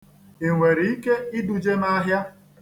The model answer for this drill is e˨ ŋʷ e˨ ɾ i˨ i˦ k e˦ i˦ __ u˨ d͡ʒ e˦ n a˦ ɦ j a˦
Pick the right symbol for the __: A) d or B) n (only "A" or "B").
A